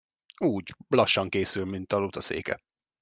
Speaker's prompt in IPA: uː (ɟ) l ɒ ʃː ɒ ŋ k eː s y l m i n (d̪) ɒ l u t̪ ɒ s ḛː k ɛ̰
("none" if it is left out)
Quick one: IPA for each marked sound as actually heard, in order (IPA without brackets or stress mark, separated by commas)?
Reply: ɟ, t̪